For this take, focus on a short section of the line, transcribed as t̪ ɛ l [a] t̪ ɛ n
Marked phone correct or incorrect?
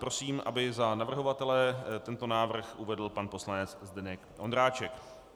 incorrect: ɛ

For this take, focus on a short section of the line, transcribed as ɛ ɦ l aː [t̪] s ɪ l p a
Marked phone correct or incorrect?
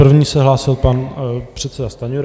incorrect: none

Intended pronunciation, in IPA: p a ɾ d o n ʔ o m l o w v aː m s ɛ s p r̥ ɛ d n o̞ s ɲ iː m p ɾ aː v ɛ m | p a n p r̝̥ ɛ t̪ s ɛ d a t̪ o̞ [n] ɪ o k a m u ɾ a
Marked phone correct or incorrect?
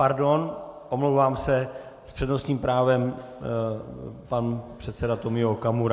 incorrect: m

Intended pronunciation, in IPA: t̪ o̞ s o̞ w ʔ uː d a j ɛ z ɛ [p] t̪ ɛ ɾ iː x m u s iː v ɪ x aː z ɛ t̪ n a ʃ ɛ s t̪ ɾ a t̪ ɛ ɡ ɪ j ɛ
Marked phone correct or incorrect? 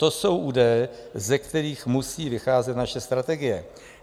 incorrect: k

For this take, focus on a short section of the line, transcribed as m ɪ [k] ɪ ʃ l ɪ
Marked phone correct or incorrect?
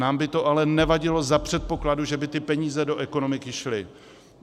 correct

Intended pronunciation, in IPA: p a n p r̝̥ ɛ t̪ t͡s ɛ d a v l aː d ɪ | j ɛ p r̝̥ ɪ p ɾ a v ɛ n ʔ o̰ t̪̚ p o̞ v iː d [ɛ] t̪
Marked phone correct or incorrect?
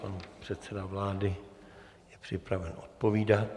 incorrect: a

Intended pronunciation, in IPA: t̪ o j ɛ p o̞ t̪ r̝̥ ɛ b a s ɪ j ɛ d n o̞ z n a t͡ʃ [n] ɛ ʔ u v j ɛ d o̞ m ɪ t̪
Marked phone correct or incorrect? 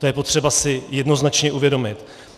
incorrect: ɲ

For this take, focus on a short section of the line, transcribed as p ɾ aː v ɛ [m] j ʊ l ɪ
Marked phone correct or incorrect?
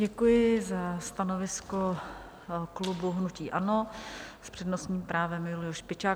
correct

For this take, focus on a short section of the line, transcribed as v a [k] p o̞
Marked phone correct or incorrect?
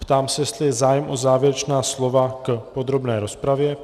correct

